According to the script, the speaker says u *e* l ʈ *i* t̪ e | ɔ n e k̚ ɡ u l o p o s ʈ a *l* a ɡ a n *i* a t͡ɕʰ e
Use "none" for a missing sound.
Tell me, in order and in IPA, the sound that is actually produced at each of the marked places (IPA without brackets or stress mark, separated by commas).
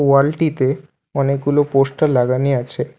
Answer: a, i, l, i